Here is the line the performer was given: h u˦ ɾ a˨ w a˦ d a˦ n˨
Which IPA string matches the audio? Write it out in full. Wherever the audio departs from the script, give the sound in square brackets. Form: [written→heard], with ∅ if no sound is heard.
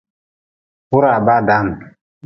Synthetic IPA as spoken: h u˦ ɾ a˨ [w→b] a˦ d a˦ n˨